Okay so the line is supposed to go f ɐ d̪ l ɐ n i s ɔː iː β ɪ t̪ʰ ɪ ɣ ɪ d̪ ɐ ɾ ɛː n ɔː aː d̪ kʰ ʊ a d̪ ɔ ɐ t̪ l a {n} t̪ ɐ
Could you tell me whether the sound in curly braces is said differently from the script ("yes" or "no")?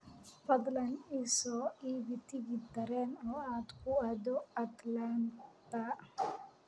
no